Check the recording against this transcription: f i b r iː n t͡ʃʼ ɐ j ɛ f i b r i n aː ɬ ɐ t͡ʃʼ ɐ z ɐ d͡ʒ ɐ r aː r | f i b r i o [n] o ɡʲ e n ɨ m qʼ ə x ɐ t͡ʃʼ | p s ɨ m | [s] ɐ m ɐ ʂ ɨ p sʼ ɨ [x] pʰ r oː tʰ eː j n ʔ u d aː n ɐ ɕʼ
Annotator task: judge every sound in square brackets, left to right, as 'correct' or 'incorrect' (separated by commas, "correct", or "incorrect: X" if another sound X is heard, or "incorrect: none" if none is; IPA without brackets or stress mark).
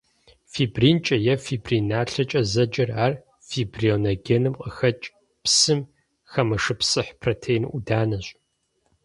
correct, incorrect: x, incorrect: ħ